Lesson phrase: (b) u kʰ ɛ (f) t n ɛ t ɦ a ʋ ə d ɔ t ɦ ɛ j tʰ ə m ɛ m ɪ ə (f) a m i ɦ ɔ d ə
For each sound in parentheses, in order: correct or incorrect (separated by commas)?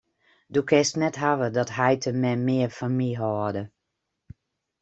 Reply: incorrect, incorrect, correct